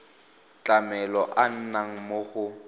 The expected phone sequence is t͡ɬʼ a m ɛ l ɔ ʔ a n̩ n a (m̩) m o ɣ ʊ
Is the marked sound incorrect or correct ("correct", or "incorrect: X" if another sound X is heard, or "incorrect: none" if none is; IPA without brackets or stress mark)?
incorrect: ŋ̩